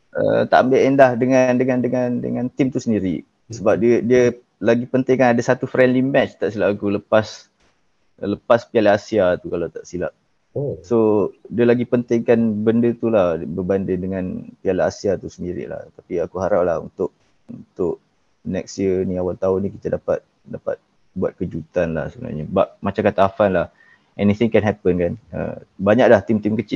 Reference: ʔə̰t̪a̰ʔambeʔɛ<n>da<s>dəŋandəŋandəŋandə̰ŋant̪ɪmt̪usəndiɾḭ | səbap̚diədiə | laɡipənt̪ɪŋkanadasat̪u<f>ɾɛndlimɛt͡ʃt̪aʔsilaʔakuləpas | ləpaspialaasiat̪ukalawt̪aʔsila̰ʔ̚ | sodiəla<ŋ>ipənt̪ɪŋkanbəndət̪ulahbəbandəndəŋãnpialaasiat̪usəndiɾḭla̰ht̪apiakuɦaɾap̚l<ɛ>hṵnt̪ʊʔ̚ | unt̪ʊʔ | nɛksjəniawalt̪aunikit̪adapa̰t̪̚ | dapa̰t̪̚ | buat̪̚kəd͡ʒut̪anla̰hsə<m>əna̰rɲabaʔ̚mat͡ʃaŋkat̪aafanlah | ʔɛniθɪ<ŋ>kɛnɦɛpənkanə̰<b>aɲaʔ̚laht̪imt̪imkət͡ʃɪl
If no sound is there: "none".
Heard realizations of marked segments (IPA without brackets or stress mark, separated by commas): n, h, f, ɡ, a, b, ŋ, b